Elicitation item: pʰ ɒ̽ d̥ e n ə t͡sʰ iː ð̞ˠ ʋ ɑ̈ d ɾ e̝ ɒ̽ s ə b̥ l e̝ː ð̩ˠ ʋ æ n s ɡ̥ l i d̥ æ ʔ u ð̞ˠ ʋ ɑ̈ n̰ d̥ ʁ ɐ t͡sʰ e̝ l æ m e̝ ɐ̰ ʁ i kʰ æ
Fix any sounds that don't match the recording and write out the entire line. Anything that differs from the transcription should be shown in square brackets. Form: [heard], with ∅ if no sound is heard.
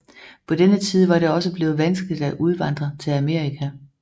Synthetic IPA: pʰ ɒ̽ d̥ e n ə t͡sʰ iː ð̞ˠ ʋ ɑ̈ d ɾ e̝ ɒ̽ s ə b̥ l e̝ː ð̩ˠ ʋ æ n s ɡ̥ l i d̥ æ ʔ u ð̞ˠ ʋ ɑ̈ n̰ d̥ ʁ ɐ t͡sʰ e̝ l æ m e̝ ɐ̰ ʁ i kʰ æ